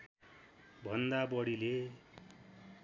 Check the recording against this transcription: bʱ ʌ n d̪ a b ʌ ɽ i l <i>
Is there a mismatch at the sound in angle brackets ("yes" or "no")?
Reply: yes